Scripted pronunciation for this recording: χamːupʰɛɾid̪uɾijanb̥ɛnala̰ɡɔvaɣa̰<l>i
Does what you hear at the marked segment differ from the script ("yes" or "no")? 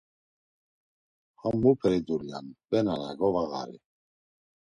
yes